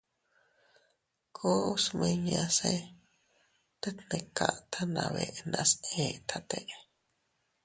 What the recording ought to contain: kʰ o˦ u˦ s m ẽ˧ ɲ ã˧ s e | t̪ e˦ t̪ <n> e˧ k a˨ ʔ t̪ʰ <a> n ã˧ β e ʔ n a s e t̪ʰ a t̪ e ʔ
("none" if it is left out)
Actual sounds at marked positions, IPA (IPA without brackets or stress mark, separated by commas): n, a